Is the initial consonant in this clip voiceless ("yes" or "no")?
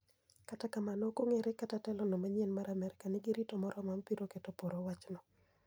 yes